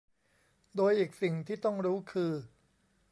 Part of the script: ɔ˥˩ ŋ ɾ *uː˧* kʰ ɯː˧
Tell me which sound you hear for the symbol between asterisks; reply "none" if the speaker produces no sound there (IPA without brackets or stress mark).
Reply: uː˦˥